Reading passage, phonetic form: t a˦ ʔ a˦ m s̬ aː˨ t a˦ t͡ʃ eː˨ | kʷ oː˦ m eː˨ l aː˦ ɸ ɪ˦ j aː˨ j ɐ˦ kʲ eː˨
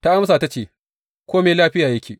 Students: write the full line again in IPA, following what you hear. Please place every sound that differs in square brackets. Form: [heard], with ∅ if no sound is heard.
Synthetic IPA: t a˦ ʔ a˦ m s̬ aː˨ t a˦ t͡ʃ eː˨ | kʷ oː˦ m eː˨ l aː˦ ɸ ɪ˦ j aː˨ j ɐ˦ kʲ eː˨